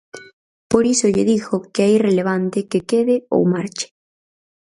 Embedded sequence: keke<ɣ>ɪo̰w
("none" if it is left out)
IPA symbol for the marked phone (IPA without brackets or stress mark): ð